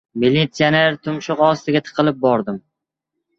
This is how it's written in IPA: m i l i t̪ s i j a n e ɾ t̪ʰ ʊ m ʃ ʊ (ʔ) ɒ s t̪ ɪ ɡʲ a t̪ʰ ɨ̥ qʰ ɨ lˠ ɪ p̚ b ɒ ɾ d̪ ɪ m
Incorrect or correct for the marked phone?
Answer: incorrect: q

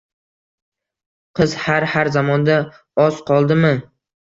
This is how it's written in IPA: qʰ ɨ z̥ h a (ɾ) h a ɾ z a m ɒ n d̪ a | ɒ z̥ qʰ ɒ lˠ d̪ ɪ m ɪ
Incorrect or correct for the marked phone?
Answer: correct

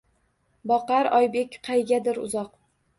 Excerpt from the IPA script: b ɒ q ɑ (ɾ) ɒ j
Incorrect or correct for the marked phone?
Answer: correct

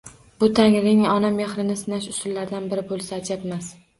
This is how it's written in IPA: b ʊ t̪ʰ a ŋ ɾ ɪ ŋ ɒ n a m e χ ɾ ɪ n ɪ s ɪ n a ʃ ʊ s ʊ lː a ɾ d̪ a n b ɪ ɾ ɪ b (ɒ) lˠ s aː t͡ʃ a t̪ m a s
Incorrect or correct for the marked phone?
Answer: incorrect: o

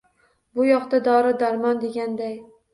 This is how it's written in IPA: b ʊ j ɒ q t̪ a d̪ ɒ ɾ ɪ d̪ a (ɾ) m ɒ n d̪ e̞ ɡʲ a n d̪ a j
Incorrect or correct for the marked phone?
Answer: correct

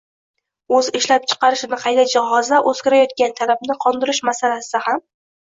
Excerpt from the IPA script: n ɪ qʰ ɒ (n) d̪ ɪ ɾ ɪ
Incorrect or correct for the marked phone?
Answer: correct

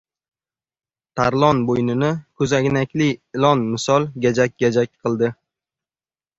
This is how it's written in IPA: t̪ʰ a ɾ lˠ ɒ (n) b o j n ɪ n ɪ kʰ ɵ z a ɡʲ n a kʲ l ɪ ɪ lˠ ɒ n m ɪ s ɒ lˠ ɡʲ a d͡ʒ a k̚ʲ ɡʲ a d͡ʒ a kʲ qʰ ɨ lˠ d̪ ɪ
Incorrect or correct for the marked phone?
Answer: correct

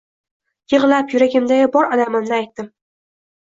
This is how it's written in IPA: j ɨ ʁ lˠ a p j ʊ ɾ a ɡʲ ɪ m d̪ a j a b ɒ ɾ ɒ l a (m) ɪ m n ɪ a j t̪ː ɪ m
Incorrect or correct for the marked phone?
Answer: correct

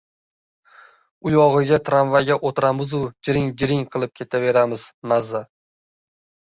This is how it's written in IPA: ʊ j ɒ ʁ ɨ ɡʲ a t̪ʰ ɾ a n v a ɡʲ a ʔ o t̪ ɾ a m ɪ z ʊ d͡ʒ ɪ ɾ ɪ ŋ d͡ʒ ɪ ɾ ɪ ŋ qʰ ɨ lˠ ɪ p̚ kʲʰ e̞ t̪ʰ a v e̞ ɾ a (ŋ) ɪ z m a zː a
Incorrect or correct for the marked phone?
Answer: incorrect: m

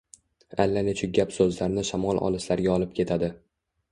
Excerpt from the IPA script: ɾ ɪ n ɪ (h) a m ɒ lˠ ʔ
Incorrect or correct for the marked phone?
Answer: incorrect: ʃ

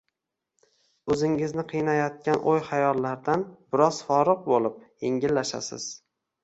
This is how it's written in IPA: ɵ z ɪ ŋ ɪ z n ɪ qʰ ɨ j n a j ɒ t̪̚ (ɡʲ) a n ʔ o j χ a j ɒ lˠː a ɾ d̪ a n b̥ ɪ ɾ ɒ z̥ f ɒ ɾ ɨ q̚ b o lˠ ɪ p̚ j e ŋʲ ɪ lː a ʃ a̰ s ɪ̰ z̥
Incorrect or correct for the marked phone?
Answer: incorrect: kʲ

